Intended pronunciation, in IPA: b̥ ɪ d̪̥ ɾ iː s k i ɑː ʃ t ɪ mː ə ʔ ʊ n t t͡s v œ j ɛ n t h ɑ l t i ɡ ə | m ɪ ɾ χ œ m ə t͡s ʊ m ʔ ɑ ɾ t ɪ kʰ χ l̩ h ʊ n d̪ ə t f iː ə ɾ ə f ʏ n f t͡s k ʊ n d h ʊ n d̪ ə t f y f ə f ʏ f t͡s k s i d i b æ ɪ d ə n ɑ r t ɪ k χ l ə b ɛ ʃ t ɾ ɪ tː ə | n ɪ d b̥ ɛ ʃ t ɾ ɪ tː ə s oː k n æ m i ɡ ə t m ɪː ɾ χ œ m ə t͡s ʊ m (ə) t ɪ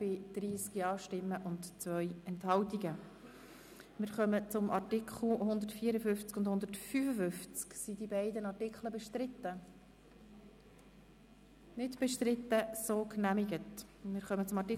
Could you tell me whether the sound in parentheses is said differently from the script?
yes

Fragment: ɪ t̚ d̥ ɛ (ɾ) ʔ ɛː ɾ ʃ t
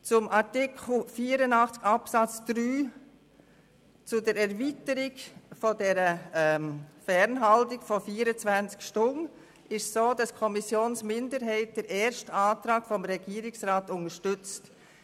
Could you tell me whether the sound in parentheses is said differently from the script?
no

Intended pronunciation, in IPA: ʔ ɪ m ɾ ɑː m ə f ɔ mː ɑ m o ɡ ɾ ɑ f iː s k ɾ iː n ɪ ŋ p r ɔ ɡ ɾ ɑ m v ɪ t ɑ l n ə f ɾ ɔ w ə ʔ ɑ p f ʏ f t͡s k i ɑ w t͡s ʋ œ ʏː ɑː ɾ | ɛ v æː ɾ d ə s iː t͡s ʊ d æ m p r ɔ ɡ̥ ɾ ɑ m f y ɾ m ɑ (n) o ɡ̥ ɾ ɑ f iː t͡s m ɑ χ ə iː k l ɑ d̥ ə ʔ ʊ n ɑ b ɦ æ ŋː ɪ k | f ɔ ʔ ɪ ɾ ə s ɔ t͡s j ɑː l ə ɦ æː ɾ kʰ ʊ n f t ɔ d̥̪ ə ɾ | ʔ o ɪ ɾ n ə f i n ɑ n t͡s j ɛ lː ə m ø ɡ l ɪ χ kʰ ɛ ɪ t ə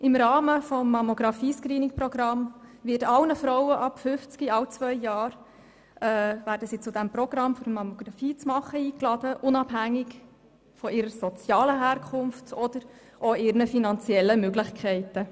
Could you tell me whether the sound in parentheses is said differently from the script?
yes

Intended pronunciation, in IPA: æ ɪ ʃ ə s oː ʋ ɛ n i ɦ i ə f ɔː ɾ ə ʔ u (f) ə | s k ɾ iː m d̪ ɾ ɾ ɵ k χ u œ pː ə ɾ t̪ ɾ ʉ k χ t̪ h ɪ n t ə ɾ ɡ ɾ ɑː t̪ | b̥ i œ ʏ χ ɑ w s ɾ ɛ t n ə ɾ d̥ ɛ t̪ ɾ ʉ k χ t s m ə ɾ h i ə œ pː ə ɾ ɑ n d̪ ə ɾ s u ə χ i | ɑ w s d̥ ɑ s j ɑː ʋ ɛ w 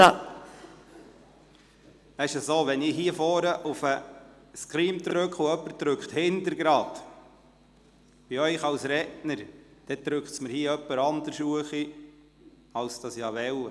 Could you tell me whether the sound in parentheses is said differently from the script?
no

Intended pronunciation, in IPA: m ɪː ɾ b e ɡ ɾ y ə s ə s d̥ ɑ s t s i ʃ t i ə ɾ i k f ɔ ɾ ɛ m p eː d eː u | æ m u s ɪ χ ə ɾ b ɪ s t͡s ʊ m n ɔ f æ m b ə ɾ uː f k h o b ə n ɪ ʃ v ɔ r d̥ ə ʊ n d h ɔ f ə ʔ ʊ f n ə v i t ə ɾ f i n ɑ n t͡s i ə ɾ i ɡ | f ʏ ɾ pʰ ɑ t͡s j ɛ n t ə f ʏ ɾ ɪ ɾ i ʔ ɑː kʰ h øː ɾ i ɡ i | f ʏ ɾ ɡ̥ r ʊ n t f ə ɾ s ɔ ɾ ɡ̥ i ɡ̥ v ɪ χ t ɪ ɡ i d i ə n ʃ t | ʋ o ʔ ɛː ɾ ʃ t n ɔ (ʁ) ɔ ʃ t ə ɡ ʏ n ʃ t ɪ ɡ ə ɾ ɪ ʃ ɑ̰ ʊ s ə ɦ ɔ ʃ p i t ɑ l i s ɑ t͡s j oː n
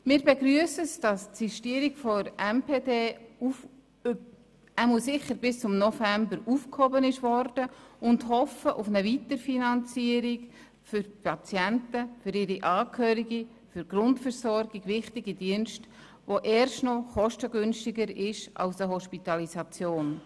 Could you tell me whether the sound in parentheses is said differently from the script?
yes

